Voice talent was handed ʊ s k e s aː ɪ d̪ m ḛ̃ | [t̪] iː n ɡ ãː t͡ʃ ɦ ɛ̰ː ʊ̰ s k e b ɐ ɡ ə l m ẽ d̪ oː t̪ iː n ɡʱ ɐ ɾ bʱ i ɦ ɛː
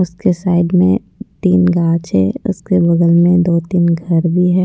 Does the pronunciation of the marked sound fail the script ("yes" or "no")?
no